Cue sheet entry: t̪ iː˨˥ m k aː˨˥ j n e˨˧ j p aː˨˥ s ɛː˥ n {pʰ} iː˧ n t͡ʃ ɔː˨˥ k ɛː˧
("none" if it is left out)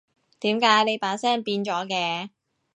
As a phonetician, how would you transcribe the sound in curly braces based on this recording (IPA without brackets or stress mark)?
p